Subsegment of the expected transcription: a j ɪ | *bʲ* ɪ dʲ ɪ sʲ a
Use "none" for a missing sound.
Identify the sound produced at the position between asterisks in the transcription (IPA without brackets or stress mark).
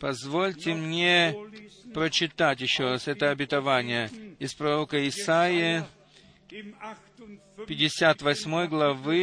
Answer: pʲ